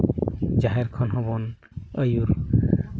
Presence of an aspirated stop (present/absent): present